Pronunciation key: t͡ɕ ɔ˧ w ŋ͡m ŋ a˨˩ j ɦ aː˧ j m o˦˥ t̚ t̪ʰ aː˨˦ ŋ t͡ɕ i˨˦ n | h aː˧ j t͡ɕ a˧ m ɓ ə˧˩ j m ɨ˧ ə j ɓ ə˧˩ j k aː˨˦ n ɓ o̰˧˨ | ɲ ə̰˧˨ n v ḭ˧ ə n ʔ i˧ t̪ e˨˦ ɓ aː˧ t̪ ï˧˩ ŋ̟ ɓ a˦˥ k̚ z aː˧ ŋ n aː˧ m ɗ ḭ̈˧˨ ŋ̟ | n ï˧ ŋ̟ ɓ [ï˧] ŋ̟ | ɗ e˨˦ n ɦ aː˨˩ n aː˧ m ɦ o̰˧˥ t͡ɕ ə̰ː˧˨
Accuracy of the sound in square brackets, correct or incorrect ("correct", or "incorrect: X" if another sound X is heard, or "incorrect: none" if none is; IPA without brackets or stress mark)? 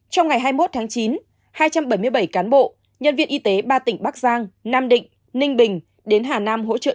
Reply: incorrect: ï˨˩